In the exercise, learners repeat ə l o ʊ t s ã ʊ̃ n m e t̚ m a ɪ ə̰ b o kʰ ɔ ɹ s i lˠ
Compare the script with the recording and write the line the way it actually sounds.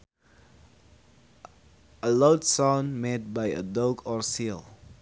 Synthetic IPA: ə l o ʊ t s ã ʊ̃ n m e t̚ b a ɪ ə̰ d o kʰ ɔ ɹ s i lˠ